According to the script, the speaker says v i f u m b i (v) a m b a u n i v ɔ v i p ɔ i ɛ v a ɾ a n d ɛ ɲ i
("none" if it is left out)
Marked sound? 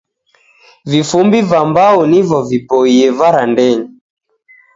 v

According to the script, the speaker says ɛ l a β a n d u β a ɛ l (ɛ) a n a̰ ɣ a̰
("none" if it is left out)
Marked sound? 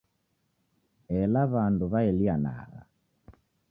i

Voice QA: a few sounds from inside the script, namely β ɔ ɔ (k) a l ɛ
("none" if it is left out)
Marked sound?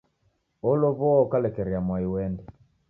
k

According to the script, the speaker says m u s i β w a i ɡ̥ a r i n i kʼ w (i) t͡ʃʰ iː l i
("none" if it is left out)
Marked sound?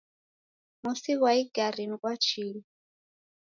a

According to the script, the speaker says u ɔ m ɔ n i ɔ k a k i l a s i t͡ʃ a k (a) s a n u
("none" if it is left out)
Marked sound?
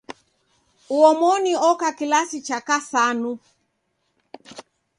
a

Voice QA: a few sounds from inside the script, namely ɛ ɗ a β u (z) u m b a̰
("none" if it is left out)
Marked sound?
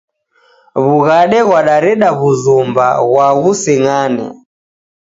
z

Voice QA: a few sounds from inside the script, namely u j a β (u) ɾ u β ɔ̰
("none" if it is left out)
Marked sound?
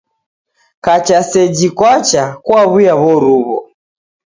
ɔ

